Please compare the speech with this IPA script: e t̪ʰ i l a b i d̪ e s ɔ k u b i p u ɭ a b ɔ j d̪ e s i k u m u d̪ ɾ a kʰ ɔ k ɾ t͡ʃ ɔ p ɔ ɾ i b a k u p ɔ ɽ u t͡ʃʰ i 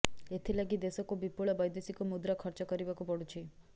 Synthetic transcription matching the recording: e t̪ʰ i l a ɡ i d̪ e s ɔ k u b i p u ɭ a b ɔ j d̪ e s i k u m u d̪ ɾ a kʰ ɔ ɾ t͡ʃ ɔ k ɔ ɾ i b a k u p ɔ ɽ u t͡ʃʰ i